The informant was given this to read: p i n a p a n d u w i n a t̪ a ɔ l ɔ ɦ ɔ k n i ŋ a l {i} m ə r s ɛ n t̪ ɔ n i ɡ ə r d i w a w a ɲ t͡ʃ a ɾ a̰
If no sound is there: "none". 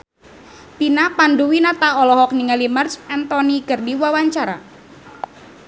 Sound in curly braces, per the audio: i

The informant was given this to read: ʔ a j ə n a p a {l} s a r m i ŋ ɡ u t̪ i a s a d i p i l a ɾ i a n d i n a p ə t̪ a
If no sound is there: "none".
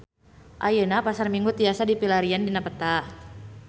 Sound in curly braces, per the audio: none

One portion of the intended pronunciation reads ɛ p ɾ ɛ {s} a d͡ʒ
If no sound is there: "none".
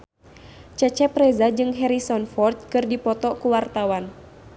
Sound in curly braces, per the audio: z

